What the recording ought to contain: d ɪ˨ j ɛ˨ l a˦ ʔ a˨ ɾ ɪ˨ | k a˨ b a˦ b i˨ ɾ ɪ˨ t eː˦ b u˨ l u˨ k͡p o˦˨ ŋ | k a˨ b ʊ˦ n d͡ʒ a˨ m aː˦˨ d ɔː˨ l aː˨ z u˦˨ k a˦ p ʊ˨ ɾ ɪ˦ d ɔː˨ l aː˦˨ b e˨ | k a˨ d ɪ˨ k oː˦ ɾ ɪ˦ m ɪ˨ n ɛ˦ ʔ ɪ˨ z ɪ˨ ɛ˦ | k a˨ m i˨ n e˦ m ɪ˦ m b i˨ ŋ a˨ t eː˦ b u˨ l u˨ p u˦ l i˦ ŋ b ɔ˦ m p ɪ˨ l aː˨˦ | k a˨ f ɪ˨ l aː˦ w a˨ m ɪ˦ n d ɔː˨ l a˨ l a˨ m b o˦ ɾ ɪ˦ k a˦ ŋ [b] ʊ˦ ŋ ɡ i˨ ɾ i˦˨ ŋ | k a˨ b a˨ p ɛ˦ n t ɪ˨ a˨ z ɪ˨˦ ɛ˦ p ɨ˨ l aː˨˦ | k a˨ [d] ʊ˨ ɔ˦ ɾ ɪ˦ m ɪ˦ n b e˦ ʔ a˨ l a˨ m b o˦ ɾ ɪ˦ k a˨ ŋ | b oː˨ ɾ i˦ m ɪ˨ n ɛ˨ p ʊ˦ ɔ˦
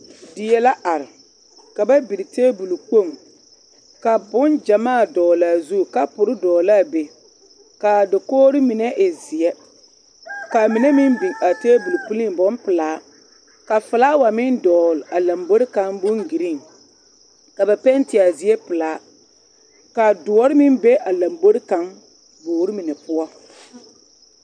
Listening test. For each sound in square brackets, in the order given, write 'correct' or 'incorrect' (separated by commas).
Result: correct, correct